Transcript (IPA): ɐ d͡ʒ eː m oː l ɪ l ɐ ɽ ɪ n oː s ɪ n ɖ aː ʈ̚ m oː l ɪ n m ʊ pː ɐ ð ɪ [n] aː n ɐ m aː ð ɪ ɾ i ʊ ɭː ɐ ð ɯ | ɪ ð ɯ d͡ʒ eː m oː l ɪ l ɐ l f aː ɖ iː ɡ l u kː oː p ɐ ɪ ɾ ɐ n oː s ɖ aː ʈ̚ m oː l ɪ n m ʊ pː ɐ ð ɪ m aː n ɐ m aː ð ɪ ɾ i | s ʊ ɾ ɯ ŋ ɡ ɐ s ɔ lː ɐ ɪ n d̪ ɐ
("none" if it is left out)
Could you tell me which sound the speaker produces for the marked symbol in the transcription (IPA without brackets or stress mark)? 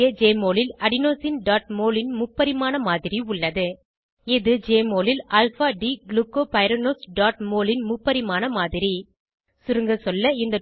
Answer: m